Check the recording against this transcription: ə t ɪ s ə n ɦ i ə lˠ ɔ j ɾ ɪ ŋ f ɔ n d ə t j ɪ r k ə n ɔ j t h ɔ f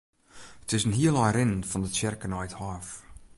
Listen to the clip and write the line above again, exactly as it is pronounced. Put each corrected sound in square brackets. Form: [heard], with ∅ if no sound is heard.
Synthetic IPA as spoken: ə t ɪ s ə n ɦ i ə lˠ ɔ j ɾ ɪ [n] f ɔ n d ə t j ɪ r k ə n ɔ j t h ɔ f